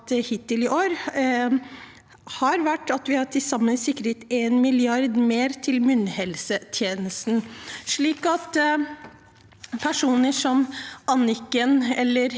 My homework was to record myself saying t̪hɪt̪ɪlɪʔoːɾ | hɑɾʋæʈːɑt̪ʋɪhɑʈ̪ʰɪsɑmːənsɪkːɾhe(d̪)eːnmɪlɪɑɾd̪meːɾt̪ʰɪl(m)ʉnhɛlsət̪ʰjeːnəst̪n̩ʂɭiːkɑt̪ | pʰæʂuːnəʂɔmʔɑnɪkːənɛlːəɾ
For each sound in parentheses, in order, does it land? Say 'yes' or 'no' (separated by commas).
no, yes